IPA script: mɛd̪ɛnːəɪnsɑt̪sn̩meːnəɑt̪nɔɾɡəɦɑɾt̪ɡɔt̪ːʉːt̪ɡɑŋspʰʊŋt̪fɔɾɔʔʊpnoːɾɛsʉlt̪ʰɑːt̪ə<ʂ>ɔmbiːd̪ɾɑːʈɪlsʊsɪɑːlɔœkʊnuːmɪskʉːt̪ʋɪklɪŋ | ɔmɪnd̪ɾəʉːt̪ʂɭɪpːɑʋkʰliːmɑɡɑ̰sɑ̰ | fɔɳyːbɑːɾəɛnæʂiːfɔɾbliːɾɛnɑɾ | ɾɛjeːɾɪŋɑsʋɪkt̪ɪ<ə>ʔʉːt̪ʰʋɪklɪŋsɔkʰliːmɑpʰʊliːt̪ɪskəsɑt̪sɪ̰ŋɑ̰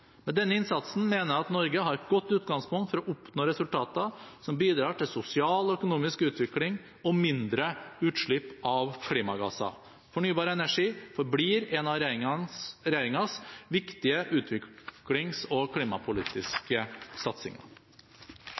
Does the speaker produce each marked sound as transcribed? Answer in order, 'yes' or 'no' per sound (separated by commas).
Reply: no, yes